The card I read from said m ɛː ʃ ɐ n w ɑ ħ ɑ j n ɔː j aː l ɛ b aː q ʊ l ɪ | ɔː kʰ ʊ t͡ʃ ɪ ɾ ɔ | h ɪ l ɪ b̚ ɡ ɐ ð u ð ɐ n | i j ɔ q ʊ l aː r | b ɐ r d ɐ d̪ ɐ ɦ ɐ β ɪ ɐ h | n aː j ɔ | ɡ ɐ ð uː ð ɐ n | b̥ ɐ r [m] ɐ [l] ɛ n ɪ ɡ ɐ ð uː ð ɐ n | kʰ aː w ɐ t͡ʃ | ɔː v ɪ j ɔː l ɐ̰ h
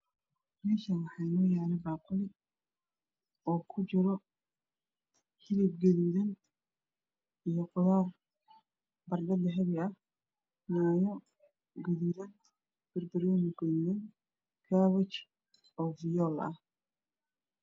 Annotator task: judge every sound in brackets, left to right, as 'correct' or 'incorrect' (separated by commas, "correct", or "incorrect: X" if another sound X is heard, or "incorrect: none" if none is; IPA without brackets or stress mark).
incorrect: b, incorrect: ɾ